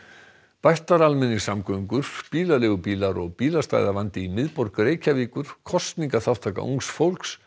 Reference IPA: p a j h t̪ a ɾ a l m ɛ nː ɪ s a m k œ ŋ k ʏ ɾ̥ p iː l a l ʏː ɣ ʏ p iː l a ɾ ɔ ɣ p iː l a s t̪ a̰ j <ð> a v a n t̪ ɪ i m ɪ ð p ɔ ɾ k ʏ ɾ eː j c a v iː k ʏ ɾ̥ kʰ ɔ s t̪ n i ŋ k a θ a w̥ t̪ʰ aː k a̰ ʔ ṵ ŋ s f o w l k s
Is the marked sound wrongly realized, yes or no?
no